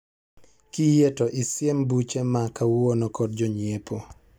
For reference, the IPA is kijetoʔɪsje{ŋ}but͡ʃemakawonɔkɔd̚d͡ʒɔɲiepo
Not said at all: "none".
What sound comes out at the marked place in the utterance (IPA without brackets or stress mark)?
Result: m